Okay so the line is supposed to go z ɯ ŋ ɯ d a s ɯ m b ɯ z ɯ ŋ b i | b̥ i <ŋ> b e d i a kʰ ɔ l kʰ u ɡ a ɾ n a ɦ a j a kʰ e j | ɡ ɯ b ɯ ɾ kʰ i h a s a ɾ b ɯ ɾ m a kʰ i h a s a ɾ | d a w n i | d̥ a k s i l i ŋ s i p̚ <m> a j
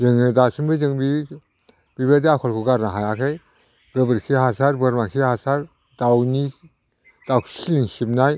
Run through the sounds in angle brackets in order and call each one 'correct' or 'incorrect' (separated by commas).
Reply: incorrect, incorrect